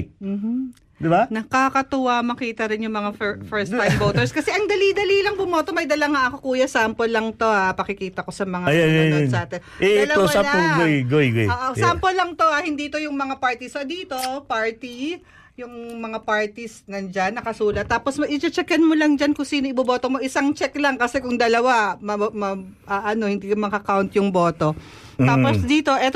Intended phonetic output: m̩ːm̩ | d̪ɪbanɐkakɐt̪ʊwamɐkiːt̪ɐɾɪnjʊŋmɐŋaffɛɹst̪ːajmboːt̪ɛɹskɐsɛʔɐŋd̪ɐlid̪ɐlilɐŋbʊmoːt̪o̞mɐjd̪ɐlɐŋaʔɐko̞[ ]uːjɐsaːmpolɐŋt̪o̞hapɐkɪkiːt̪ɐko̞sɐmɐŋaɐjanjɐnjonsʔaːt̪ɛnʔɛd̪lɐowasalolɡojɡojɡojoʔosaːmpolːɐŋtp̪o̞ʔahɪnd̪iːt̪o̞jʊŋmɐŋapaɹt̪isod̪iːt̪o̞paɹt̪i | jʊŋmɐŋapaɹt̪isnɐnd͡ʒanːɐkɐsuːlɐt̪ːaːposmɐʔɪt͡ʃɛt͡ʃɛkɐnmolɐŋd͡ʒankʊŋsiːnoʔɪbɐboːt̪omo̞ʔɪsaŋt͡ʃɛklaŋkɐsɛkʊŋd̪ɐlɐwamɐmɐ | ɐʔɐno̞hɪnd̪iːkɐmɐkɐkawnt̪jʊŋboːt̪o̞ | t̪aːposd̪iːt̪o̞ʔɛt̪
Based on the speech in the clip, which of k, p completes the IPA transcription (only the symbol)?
k